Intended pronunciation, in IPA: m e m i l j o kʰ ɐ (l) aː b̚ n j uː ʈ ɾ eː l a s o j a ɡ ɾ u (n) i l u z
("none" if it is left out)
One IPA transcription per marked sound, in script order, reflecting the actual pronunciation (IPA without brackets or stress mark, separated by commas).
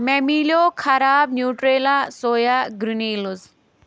ɾ, n